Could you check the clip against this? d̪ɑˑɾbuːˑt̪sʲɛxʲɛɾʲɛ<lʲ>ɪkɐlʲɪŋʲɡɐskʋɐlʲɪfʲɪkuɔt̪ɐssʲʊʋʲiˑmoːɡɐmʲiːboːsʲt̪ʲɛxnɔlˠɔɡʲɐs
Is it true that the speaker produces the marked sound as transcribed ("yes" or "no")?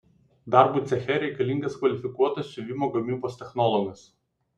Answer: no